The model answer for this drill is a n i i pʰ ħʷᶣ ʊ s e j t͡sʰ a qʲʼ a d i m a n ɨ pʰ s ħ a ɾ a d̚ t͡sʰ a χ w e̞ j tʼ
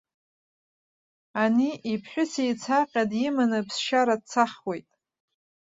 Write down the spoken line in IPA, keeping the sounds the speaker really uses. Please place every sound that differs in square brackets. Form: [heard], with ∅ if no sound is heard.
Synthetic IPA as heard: a n i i pʰ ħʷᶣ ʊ s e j t͡sʰ a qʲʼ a d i m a n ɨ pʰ s [ʃ] a ɾ a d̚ t͡sʰ a χ w e̞ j tʼ